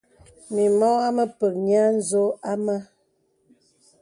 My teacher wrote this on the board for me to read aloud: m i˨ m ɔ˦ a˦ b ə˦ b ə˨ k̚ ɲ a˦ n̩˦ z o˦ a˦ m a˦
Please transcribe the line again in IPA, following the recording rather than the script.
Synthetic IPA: m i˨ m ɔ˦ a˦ m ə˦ p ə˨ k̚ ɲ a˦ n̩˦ z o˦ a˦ m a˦